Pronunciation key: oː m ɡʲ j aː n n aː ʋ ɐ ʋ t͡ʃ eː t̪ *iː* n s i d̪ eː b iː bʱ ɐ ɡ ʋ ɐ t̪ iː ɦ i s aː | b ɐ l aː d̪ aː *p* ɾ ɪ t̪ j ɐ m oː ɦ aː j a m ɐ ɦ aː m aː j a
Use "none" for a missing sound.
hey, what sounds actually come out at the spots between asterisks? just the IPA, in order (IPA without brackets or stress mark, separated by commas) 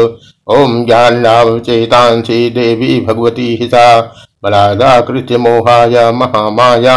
aː, k